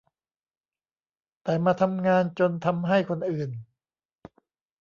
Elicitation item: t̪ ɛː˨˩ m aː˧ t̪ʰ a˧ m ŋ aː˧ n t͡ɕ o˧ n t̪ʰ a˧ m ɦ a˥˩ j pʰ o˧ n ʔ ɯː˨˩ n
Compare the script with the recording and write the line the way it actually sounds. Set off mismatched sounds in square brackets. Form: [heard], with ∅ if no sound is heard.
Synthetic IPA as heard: t̪ ɛː˨˩ m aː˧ t̪ʰ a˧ m ŋ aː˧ n t͡ɕ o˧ n t̪ʰ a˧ m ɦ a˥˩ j [kʰ] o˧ n ʔ ɯː˨˩ n